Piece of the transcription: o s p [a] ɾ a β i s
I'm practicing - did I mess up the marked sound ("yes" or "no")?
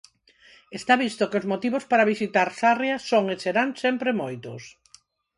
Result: no